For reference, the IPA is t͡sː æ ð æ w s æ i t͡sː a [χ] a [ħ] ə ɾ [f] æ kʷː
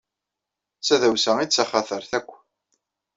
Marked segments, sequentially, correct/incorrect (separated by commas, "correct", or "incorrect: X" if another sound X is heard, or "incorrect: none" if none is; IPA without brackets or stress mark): correct, incorrect: θ, incorrect: θ